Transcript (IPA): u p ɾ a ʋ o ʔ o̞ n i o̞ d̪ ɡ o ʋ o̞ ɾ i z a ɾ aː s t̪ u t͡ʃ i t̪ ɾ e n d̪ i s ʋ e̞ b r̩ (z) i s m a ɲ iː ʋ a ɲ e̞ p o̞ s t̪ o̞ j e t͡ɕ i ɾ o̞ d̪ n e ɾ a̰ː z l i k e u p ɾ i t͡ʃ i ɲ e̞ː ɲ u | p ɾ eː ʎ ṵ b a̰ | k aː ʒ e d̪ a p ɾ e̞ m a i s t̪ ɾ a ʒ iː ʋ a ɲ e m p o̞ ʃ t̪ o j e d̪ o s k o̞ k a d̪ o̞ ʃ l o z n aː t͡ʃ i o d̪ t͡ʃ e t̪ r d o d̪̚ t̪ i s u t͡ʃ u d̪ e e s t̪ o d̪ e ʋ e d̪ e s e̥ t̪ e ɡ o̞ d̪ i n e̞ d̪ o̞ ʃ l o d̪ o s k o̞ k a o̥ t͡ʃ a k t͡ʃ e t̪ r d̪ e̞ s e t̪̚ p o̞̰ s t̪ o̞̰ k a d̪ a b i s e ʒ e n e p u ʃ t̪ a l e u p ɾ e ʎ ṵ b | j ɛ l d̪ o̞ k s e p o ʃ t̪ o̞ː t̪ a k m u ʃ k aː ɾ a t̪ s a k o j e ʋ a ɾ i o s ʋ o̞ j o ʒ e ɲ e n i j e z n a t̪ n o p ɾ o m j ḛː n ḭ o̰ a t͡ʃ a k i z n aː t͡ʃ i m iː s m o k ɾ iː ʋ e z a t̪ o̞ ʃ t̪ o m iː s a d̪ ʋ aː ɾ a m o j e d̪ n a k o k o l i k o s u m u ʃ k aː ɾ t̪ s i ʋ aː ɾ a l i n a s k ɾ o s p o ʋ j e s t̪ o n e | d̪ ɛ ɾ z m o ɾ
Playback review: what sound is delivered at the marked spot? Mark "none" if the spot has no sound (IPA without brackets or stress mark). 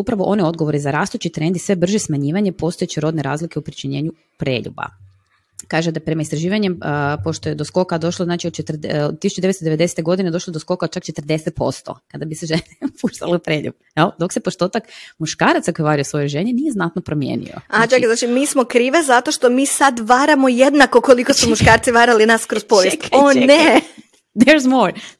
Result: ʒ